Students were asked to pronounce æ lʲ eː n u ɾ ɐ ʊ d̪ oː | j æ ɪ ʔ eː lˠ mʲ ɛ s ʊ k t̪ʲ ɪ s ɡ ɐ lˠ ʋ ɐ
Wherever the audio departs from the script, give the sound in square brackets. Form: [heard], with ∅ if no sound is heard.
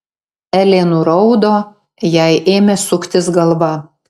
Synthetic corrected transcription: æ lʲ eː n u ɾ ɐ ʊ d̪ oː | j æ ɪ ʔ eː [∅] mʲ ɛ s ʊ k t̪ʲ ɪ s ɡ ɐ lˠ ʋ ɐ